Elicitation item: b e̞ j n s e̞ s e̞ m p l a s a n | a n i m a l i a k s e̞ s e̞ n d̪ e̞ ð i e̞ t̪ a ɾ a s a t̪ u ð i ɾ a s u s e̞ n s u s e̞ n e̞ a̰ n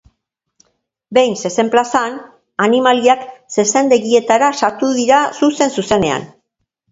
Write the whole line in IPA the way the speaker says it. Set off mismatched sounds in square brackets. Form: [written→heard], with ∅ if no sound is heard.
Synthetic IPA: b e̞ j n s e̞ s e̞ m p l a s a n | a n i m a l i a k s e̞ s e̞ n d̪ e̞ [ð→ɣ] i e̞ t̪ a ɾ a s a t̪ u ð i ɾ a s u s e̞ n s u s e̞ n e̞ a̰ n